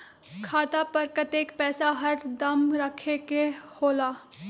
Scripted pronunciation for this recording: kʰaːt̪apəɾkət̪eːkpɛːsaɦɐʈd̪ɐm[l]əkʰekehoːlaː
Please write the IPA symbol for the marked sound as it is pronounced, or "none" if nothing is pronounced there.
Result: ɾ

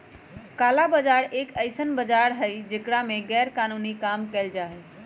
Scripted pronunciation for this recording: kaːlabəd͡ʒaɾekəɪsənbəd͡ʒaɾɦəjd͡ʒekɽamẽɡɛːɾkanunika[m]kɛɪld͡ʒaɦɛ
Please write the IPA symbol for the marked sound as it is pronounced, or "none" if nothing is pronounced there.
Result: m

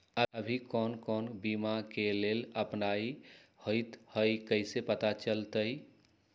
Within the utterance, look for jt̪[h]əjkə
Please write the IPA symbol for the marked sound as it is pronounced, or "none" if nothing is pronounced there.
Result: h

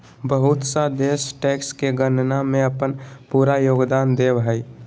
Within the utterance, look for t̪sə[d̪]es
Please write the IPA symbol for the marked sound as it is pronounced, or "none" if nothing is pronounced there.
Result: d̪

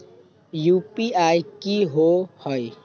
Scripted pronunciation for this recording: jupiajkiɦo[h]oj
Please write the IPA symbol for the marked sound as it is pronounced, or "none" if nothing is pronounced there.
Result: h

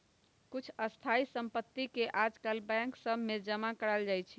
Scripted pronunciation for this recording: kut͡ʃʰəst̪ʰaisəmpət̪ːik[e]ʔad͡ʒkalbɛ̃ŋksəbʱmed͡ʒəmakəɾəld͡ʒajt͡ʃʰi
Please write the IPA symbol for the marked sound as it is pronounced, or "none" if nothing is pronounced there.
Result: e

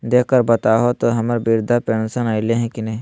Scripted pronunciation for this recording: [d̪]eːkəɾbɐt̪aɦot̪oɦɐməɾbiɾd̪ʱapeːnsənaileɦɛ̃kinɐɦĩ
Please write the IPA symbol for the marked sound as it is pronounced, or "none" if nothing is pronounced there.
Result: d̪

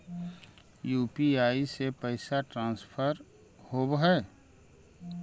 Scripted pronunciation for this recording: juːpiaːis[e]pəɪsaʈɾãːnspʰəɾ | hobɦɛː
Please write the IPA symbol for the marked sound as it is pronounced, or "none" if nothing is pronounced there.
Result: e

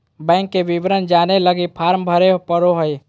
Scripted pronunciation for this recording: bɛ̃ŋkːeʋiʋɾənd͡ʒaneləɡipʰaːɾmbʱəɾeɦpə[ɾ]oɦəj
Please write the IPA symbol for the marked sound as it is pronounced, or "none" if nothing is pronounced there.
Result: ɾ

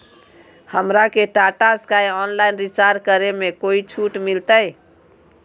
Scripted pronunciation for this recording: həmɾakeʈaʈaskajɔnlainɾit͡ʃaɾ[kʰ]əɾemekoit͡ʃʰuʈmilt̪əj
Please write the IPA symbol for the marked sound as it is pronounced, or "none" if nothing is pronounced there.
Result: k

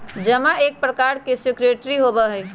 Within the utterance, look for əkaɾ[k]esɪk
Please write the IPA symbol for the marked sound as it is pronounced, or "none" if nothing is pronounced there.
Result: k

